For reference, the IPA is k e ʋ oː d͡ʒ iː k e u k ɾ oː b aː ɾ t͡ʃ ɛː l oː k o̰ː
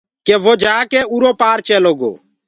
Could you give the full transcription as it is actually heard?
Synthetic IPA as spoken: k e ʋ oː d͡ʒ aː k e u ɾ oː p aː ɾ t͡ʃ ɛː l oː ɡ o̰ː